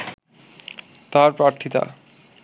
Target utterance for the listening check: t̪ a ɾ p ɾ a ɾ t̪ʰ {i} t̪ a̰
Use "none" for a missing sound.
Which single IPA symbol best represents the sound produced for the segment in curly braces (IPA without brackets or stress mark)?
i